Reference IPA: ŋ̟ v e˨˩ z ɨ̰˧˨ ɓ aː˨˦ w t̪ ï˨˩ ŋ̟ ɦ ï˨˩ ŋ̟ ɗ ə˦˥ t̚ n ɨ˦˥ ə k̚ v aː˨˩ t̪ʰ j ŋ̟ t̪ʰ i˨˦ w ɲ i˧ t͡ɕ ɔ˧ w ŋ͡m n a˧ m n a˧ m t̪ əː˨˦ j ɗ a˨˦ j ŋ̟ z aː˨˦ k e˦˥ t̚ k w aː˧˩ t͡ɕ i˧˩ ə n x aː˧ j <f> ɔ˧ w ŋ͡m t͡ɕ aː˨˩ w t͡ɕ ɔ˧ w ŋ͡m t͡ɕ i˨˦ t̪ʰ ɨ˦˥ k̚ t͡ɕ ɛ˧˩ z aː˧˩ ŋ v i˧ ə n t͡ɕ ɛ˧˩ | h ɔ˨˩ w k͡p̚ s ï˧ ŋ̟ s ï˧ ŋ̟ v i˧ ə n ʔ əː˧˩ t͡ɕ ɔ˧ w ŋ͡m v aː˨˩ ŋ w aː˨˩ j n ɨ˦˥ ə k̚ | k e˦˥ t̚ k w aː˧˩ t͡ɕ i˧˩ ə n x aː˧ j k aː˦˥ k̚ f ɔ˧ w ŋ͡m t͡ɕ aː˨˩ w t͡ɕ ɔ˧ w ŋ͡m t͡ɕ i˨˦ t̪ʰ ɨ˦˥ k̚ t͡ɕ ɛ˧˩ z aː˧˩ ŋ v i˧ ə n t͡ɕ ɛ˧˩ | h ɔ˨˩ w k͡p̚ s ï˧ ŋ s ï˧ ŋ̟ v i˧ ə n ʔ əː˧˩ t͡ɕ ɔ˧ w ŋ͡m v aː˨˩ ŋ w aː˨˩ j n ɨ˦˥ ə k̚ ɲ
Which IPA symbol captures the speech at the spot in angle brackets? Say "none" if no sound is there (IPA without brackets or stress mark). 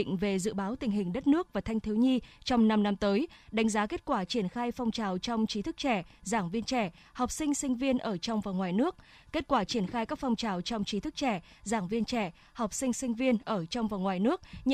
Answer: f